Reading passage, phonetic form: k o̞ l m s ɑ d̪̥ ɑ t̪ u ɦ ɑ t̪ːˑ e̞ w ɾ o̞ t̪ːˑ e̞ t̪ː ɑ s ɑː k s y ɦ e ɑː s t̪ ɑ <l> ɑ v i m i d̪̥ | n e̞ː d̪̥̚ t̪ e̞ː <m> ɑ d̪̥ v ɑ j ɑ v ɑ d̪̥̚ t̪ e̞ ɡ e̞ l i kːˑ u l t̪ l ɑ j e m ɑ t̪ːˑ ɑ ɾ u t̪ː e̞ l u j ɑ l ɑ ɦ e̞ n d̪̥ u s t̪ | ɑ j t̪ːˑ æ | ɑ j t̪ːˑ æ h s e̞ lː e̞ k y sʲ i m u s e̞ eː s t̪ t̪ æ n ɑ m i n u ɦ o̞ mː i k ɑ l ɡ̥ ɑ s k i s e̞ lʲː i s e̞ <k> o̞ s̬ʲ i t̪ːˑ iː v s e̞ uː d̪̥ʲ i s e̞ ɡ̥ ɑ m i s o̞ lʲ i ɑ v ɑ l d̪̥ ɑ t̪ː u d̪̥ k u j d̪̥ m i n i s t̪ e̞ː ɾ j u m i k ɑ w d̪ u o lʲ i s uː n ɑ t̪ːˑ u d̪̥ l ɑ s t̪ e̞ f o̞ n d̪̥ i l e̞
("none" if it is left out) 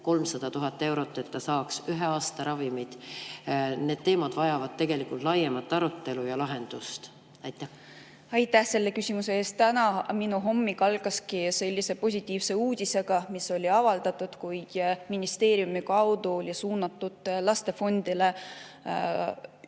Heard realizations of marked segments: ɾ, m, p

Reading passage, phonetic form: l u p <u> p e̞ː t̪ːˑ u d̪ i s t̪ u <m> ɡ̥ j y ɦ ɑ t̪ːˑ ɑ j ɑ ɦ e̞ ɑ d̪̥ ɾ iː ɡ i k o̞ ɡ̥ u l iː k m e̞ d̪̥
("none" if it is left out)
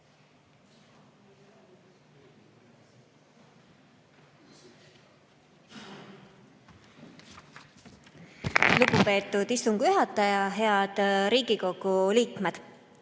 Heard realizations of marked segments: u, ŋ

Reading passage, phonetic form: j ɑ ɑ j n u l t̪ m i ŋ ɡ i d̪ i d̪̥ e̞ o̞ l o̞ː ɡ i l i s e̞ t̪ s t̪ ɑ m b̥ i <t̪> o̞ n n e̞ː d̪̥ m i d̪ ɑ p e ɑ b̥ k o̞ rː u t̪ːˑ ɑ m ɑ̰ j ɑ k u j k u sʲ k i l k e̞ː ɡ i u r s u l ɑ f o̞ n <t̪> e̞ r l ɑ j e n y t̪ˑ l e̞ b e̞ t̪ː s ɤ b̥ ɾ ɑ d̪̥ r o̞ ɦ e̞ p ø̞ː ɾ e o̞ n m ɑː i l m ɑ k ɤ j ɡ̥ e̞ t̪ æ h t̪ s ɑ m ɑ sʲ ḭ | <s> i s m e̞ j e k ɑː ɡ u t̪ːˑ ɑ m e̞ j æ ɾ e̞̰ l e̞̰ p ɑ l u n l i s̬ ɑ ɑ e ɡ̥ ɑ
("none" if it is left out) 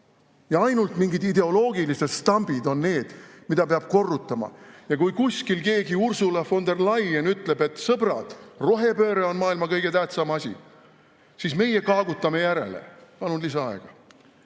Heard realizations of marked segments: d̪, d̪, s

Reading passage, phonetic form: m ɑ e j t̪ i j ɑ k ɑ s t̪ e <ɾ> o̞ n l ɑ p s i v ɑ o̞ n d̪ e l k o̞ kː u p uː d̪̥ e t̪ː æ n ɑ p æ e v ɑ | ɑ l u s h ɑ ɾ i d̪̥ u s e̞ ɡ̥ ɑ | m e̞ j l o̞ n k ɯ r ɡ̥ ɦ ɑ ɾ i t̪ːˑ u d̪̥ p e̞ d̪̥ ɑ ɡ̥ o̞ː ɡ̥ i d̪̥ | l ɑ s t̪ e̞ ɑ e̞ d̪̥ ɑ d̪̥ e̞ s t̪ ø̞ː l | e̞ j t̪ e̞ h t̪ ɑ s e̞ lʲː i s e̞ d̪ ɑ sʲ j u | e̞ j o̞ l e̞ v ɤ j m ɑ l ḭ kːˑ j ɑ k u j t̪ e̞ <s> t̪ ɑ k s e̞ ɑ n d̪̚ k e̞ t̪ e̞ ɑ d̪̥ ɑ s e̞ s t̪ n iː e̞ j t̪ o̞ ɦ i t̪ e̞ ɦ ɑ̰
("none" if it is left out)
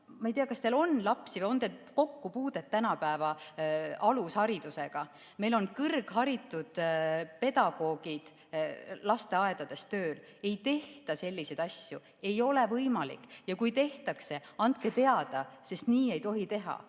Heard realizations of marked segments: l, h

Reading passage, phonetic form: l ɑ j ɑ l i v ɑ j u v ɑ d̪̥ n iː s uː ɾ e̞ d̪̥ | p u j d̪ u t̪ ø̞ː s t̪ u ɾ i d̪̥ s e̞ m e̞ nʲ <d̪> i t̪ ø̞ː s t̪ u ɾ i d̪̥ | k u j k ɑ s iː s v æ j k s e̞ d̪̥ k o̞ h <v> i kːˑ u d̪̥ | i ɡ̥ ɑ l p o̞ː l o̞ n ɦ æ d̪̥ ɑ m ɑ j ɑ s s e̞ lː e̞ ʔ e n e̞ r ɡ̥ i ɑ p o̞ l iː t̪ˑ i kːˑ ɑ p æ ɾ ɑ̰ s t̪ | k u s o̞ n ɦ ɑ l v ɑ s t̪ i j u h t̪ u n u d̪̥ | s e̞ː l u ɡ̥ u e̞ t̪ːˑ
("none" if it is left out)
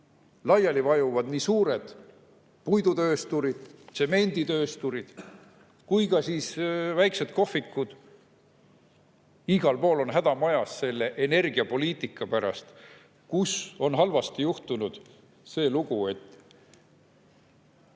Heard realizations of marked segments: d̪, f

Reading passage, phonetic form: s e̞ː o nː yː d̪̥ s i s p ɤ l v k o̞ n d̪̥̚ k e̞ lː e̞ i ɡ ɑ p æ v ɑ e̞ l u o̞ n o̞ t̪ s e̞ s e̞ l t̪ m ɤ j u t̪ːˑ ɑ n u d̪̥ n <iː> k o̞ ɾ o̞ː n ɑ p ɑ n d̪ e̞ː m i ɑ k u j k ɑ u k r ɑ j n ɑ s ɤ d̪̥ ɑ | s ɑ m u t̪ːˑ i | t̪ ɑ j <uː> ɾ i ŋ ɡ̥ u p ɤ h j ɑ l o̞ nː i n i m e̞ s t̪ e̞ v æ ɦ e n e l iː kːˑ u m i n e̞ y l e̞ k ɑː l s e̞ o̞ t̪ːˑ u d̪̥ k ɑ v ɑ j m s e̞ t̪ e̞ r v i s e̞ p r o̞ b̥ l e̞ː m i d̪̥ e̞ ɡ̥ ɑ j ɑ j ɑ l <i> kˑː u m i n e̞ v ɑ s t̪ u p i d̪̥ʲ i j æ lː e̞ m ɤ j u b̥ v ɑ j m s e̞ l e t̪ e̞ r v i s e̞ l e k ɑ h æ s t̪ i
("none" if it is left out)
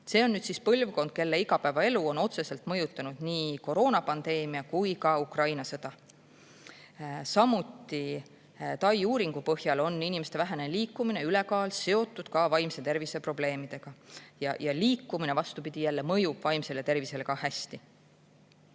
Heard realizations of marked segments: iː, uː, iː

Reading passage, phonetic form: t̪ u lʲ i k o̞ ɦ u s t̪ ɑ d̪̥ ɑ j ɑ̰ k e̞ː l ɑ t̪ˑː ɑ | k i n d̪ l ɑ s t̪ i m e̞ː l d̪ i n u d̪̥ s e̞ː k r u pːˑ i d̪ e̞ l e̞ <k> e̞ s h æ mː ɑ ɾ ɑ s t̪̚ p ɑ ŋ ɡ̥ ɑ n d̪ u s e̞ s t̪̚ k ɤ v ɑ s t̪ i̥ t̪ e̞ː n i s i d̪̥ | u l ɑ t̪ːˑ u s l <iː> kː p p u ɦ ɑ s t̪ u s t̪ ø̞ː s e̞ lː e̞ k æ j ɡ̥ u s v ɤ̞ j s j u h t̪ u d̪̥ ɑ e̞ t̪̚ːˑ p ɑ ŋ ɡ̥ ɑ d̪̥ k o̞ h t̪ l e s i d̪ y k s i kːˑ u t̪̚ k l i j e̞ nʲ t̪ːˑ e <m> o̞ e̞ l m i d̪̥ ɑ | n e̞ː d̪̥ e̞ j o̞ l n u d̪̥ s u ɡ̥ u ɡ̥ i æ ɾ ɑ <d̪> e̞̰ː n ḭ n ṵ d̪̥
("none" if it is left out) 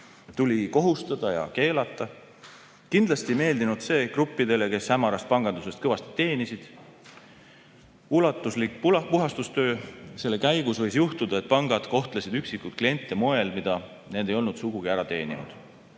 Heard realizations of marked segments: k, i, m, t̪

